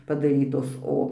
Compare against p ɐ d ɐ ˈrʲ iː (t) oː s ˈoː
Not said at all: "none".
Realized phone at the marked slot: t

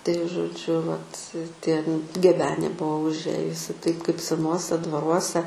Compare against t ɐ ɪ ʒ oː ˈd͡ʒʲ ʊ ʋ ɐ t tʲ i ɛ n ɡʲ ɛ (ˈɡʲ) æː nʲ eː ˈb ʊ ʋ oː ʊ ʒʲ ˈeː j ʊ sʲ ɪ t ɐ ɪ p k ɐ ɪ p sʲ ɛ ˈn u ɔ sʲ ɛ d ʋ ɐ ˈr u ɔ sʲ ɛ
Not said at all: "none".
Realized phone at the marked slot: bʲ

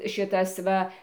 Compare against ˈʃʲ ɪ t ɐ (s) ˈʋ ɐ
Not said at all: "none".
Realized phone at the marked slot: s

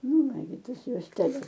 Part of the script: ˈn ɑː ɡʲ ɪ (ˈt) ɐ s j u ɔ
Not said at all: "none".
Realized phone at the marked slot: t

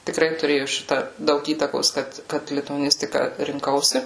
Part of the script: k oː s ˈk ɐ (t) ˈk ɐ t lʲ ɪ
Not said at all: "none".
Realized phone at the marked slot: t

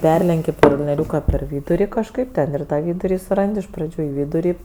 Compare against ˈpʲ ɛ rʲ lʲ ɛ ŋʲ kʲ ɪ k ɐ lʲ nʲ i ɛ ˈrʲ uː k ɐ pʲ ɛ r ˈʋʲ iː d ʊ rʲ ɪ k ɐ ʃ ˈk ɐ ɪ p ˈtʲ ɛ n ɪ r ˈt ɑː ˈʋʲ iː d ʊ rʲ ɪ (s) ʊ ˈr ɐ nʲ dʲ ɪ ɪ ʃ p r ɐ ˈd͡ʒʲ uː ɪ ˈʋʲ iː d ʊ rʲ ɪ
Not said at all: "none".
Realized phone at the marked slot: s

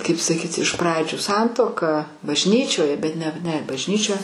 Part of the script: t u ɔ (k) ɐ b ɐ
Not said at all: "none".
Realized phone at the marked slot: k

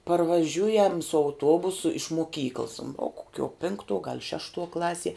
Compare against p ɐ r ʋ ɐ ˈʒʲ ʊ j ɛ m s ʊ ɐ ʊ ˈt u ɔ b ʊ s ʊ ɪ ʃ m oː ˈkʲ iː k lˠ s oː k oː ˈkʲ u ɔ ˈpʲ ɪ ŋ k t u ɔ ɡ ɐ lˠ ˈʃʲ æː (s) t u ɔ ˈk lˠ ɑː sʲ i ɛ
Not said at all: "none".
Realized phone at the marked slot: ʃ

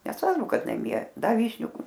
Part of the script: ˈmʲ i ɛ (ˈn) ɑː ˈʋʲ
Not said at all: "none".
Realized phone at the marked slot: d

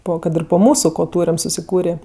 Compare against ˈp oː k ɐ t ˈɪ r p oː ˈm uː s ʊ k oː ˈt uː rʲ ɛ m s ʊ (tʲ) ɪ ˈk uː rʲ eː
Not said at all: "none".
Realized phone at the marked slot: sʲ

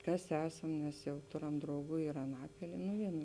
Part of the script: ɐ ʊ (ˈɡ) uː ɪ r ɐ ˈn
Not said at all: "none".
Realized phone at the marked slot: ɡ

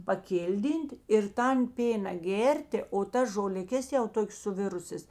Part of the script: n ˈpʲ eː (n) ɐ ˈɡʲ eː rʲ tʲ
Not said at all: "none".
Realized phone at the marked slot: n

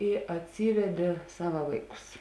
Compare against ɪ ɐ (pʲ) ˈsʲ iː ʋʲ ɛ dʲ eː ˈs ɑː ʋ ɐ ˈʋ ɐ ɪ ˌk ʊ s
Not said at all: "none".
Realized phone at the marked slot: tʲ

